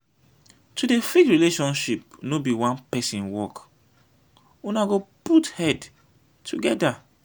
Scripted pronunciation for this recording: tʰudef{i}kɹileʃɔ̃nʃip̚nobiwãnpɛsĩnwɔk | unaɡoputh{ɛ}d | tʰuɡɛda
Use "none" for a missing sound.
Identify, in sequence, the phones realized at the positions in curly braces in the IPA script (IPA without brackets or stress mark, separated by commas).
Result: i, ɛ